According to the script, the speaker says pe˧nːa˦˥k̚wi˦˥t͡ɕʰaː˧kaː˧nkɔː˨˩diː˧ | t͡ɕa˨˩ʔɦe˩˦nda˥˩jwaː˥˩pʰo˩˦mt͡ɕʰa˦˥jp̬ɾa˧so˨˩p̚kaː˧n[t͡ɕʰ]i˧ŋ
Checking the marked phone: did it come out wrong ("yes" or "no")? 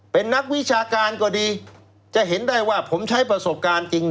yes